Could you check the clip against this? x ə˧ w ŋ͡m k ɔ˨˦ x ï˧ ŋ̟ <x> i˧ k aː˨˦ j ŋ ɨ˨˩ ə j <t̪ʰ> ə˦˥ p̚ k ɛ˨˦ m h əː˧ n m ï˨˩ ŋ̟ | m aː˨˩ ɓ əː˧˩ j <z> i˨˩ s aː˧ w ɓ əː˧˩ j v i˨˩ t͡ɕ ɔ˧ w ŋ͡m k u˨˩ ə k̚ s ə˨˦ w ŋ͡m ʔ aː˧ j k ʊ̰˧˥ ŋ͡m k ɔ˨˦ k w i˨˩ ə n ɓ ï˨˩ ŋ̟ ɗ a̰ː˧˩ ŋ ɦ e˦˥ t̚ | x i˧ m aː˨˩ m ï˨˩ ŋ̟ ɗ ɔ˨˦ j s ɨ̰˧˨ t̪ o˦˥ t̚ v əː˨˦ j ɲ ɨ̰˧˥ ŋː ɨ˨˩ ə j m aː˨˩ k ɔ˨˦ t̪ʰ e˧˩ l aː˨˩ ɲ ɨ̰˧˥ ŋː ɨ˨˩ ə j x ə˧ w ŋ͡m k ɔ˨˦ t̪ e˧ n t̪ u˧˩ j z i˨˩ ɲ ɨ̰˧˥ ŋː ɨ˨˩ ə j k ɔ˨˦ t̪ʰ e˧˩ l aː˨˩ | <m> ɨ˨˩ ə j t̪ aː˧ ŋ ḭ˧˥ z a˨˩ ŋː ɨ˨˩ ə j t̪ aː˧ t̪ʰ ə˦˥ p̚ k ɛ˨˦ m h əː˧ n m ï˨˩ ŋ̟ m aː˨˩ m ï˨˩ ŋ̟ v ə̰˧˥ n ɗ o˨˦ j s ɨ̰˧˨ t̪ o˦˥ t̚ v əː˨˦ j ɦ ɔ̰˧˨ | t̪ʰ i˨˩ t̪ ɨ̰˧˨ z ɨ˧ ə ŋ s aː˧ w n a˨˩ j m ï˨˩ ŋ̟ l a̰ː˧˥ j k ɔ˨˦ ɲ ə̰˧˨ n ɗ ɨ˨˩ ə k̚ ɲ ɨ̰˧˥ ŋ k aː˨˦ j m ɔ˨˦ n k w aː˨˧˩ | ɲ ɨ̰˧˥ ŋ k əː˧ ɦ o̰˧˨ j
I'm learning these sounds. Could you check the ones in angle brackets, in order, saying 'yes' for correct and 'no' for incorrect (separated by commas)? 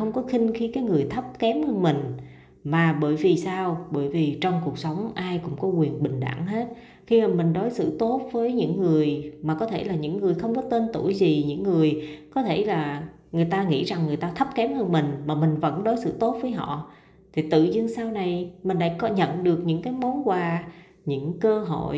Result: yes, yes, no, no